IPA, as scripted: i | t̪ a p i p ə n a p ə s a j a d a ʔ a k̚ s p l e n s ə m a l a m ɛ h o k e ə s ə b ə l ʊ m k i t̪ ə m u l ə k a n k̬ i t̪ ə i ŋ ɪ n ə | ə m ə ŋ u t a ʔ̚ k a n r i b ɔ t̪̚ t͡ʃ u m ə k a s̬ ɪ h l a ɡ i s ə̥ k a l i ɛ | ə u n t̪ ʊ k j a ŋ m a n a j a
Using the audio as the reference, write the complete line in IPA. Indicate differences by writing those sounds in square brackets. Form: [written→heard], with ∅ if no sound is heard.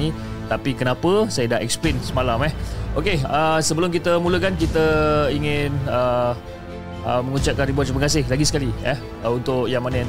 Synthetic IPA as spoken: i | t̪ a p i [p→k] ə n a p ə s a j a d a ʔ [a→ɛ] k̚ s p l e n s ə m a l a m ɛ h o k e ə s ə b ə l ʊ m k i t̪ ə m u l ə k a n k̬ i t̪ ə i ŋ ɪ n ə | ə m ə ŋ u [t→t͡ʃ] a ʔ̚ k a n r i b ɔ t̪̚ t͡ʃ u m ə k a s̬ ɪ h l a ɡ i s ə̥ k a l i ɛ | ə u n t̪ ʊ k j a ŋ m a n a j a